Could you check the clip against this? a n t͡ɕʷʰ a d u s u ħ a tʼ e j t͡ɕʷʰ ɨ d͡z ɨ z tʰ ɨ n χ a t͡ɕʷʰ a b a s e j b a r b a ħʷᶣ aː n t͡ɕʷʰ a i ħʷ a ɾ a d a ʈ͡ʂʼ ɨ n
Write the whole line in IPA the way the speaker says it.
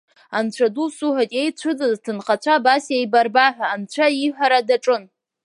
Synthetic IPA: a n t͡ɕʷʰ a d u s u ħ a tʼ e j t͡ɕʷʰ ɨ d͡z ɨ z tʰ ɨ n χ a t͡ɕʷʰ a b a s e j b a r b a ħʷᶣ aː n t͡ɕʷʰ a i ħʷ a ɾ a d a ʈ͡ʂʼ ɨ n